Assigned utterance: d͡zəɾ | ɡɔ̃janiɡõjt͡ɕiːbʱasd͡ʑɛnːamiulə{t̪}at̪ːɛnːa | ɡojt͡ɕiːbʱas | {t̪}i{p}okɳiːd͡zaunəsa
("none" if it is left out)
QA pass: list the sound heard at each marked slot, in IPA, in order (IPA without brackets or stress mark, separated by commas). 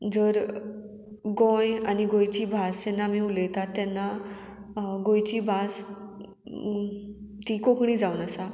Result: t̪, t̪, k